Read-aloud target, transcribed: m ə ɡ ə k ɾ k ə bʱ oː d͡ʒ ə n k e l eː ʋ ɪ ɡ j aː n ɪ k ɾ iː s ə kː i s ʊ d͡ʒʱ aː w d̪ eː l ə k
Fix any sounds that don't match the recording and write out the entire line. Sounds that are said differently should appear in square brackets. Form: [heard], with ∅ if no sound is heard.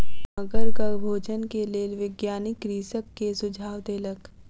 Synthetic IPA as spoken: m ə ɡ ə [∅] ɾ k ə bʱ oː d͡ʒ ə n k e l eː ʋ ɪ ɡ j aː n ɪ k ɾ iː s ə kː [e] s ʊ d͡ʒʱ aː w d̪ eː l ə k